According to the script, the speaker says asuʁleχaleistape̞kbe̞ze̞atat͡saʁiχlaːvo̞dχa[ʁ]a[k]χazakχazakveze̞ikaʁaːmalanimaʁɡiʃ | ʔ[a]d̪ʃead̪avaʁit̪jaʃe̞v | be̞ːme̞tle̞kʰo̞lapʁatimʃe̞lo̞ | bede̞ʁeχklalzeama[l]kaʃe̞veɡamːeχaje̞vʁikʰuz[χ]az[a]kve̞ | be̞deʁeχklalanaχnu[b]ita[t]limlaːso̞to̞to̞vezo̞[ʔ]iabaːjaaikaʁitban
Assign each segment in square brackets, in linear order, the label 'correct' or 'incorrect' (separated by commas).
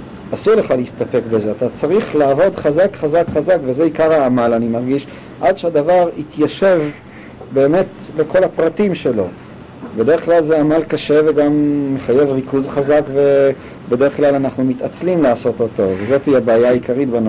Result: incorrect, correct, correct, correct, correct, correct, incorrect, incorrect, incorrect